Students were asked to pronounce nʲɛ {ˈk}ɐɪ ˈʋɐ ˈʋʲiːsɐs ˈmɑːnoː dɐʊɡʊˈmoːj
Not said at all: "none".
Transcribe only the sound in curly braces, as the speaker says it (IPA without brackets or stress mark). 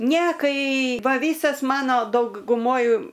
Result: k